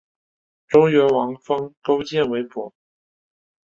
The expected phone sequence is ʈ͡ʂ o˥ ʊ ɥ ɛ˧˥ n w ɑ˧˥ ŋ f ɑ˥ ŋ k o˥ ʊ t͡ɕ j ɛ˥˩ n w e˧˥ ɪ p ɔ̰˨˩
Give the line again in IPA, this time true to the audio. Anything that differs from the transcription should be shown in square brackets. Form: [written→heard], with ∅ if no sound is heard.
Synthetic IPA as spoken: ʈ͡ʂ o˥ ʊ ɥ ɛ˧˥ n w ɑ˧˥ ŋ f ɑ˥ ŋ k o˥ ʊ t͡ɕ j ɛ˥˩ n w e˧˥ ɪ p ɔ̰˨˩